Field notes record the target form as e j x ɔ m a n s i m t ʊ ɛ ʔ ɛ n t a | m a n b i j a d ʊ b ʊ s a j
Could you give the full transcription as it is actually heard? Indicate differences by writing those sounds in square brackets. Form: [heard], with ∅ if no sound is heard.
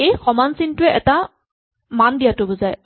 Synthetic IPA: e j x ɔ m a n s i [n] t ʊ ɛ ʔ ɛ [∅] t a | m a n [d] i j a [t] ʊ b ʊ [z] a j